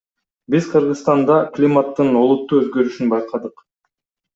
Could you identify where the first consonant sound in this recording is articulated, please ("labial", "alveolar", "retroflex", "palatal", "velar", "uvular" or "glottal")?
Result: labial